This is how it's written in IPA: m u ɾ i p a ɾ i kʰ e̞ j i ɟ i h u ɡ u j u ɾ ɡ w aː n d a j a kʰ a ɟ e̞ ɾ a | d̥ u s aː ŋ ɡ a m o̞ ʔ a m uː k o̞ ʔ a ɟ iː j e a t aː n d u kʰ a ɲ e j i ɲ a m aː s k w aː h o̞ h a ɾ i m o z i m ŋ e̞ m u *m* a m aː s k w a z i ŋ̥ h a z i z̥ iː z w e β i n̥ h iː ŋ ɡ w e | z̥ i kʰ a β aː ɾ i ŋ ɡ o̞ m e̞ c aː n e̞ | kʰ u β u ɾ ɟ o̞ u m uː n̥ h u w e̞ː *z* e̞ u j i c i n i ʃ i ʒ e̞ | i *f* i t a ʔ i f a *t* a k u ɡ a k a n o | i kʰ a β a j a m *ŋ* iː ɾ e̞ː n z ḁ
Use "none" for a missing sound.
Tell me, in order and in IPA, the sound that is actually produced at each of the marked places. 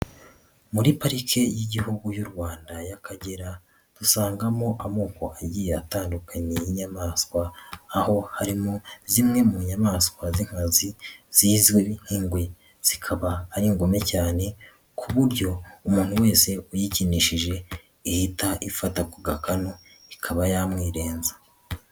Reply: ɲ, s, h, t, ŋ

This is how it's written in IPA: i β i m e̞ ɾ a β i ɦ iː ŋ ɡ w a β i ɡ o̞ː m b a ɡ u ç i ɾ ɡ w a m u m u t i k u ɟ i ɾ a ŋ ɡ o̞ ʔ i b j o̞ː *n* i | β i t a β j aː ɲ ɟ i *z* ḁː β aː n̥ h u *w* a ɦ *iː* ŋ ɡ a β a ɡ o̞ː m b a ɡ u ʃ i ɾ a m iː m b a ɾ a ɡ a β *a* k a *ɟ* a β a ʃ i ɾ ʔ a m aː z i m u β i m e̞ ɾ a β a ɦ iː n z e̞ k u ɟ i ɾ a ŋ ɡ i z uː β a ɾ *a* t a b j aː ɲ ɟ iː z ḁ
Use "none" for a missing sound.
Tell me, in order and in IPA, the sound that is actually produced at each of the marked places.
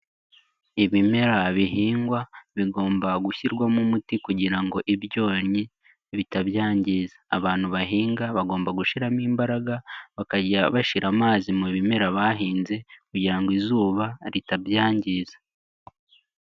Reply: ɲ, z, β, iː, a, ɟ, i

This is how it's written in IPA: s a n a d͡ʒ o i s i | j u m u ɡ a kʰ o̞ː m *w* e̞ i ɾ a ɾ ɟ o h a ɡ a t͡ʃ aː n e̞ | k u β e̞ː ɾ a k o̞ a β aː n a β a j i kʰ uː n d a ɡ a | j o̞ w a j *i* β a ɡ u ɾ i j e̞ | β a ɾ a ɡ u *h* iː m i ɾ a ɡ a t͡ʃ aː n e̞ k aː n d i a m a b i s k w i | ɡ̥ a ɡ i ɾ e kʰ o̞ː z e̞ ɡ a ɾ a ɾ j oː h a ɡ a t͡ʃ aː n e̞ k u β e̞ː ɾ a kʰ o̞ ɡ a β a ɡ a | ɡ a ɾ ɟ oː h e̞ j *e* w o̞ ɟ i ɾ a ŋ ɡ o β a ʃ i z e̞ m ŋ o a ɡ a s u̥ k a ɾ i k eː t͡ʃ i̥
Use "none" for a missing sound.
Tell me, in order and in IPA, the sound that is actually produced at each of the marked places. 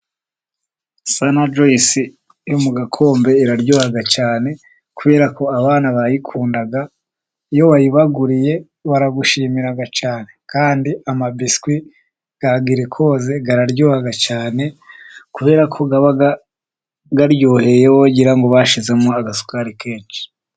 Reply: b, i, ʃ, e

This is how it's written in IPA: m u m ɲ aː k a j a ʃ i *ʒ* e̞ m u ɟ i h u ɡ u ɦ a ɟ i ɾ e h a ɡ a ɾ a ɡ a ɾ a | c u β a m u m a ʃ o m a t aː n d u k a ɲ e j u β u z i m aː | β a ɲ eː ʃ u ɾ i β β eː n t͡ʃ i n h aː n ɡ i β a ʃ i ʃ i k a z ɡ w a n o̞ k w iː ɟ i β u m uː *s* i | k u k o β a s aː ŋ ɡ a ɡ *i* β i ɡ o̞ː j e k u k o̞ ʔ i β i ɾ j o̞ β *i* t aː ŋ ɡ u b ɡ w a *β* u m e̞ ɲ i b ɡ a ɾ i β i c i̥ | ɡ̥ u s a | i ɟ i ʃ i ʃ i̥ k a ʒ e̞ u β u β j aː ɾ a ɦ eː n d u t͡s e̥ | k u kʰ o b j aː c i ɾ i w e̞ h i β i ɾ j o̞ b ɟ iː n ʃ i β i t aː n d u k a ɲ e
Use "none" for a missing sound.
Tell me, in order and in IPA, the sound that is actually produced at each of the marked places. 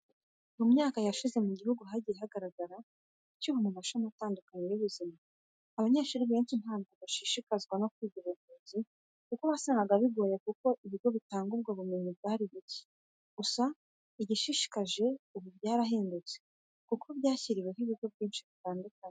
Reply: z, z, a, i, β

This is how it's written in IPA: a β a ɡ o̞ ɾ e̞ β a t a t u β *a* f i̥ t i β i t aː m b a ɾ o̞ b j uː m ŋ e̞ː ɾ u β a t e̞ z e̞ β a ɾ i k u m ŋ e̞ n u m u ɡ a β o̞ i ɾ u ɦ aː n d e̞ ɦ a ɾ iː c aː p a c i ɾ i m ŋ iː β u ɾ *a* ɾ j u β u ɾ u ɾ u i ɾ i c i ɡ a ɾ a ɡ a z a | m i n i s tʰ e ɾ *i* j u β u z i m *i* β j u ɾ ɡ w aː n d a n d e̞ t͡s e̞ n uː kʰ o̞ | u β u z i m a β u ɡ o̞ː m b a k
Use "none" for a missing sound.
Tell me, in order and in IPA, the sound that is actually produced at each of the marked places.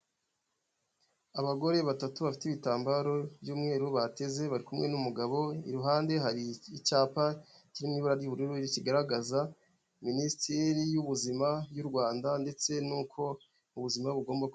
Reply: a, a, i, a

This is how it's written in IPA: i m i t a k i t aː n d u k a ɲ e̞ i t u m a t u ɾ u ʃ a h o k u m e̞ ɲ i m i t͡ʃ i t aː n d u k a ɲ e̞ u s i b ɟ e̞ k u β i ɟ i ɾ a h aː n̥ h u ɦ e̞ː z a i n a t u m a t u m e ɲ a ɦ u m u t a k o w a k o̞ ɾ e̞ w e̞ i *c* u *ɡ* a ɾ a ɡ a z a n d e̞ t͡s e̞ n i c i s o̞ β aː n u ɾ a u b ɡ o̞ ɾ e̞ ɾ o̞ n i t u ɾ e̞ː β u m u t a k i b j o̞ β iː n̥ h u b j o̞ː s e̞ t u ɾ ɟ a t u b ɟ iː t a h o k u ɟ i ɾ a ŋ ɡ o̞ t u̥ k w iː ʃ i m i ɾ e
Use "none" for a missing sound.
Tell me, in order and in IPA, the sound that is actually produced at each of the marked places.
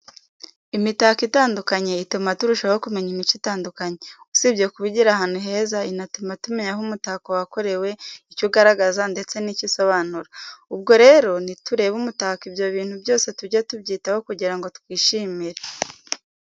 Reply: c, ɡ

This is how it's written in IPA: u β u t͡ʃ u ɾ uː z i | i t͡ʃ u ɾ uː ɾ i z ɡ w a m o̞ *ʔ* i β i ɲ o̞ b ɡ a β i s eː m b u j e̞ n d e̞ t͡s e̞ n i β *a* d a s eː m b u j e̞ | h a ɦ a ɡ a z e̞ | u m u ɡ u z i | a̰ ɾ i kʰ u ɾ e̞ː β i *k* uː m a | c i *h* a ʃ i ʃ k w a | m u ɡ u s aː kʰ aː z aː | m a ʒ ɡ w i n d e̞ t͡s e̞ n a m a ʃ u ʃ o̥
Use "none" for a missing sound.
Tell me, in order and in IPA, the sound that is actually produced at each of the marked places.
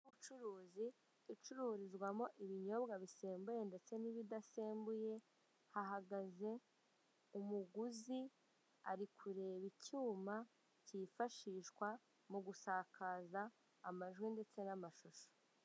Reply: ʔ, i, c, f

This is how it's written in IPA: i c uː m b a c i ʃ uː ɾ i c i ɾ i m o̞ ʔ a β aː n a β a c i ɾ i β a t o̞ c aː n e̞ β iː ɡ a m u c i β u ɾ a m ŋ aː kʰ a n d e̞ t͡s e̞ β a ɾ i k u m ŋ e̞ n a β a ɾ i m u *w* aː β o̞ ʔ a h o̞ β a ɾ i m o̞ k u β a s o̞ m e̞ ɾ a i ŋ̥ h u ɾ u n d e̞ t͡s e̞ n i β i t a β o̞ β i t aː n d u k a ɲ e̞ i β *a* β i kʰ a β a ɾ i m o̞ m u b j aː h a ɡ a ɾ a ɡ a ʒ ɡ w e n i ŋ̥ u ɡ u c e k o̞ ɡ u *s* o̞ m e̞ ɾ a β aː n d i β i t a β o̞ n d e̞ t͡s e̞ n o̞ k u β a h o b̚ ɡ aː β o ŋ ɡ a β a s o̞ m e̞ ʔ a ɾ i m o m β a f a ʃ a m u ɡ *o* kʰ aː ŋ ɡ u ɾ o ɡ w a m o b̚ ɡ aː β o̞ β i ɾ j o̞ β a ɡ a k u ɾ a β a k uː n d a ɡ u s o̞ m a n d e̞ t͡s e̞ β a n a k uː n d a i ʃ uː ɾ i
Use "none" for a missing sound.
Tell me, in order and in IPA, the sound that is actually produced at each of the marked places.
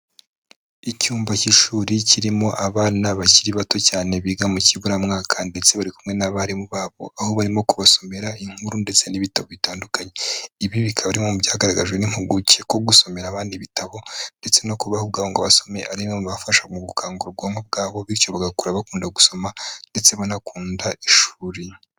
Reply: β, i, s, u

